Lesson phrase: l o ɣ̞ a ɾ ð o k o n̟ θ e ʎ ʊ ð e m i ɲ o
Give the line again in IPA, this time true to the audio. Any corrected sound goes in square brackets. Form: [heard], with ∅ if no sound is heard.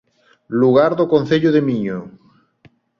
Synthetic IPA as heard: l [u] ɣ̞ a ɾ ð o k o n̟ θ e ʎ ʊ ð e m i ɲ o